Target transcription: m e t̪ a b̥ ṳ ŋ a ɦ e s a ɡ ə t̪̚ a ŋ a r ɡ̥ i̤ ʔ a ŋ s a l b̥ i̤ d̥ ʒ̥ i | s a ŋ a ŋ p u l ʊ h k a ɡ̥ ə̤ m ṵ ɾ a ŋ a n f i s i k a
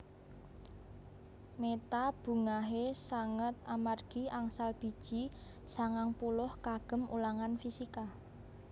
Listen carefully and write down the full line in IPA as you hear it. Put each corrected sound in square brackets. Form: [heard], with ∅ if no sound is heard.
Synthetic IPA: m e t̪ a b̥ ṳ ŋ a ɦ e s a [ŋ] ə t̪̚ a [m] a r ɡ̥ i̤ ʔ a ŋ s a l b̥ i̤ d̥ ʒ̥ i | s a ŋ a ŋ p u l ʊ h k a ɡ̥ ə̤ m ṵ [l] a ŋ a n f i s i k a

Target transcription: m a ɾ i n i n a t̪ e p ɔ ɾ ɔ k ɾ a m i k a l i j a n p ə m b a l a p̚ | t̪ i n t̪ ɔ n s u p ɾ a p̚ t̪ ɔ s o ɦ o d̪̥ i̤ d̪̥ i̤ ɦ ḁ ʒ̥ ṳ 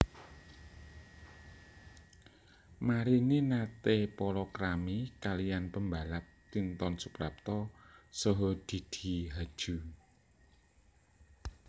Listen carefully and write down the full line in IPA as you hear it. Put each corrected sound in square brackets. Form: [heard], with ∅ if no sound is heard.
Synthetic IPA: m a ɾ i n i n a t̪ e p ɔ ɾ ɔ k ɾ a m i k a l i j a n p ə m b a l a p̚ | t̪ i n t̪ ɔ n s u p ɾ a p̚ t̪ ɔ s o ɦ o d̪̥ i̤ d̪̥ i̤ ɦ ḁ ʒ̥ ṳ

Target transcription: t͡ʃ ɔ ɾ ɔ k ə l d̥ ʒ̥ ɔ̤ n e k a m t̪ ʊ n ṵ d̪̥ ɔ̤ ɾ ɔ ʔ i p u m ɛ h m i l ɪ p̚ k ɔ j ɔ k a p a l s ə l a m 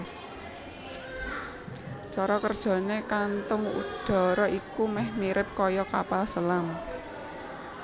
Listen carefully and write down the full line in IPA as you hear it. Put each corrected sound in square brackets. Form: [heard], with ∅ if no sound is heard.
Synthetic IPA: t͡ʃ ɔ ɾ ɔ k ə [r] d̥ ʒ̥ ɔ̤ n e k a [n] t̪ ʊ [ŋ] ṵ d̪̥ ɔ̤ ɾ ɔ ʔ i [k] u m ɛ h m i [ɾ] ɪ p̚ k ɔ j ɔ k a p a l s ə l a m

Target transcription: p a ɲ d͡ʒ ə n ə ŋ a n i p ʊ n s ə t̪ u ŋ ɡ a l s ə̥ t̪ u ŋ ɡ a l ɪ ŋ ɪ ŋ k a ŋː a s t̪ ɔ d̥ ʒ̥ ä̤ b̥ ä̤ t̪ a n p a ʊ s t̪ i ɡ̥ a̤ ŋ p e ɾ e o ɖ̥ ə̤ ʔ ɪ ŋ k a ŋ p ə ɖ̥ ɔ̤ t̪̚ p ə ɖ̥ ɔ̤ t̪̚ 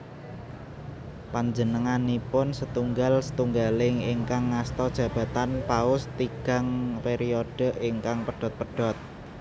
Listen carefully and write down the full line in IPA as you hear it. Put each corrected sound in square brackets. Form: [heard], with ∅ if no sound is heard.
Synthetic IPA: p a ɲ d͡ʒ ə n ə ŋ a n i p ʊ n s ə t̪ u ŋ ɡ a l s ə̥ t̪ u ŋ ɡ a l ɪ ŋ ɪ ŋ k a ŋː a s t̪ ɔ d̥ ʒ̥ ä̤ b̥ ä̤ t̪ a n p a ʊ s t̪ i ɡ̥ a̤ ŋ p e ɾ [i] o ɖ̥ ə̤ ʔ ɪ ŋ k a ŋ p ə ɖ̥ ɔ̤ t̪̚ p ə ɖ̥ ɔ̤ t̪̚

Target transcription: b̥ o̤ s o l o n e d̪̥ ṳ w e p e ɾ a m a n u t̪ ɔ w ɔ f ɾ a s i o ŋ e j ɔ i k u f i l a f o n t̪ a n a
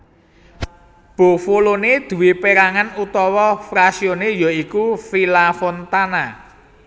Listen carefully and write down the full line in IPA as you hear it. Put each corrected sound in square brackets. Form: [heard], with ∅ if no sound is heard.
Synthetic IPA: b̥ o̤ [f] o l o n e d̪̥ ṳ w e p e ɾ a [ŋ] a n u t̪ ɔ w ɔ f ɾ a s i o [n] e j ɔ i k u f i l a f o n t̪ a n a

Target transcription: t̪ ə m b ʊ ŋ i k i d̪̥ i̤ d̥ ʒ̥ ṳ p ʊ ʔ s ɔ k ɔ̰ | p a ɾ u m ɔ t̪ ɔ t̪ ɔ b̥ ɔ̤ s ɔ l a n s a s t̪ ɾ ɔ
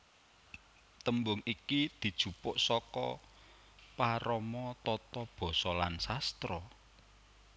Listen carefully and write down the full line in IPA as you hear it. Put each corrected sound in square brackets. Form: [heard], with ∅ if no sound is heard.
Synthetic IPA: t̪ ə m b ʊ ŋ i k i d̪̥ i̤ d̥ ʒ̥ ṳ p ʊ ʔ s ɔ k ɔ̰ | p a ɾ [ɔ] m ɔ t̪ ɔ t̪ ɔ b̥ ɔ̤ s ɔ l a n s a s t̪ ɾ ɔ

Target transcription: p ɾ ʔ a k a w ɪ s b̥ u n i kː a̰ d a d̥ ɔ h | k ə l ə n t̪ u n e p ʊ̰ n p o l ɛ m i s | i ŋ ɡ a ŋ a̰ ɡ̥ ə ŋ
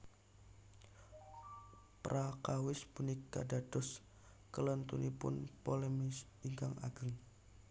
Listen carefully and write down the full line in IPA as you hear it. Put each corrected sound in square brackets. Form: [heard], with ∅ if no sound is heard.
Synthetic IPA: p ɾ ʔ a k a w ɪ s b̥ u n i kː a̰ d a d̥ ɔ [s] | k ə l ə n t̪ u n [i] p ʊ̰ n p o l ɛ m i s | i ŋ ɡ a ŋ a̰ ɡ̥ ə ŋ

